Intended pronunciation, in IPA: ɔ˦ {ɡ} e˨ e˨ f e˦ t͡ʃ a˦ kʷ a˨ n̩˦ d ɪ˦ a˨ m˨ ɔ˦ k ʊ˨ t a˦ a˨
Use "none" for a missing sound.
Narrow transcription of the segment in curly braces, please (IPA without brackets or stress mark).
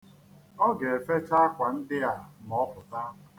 ɡ